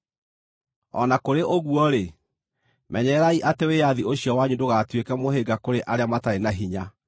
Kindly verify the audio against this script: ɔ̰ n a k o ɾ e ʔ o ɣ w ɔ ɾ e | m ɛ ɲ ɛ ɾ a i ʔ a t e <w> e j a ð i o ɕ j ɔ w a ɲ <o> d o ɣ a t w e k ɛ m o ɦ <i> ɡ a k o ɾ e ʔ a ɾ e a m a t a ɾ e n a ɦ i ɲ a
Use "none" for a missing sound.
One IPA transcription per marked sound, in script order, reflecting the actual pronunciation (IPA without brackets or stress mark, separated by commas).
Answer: w, u, e